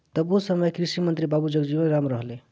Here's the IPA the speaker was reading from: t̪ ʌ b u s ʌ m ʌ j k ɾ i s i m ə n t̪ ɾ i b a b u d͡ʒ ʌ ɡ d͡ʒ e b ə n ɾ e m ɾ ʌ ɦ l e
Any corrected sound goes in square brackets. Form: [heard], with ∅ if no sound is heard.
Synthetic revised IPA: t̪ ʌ b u s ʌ m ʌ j k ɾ i s i m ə n t̪ ɾ i b a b u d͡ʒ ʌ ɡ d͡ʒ [i] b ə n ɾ [a] m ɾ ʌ ɦ l e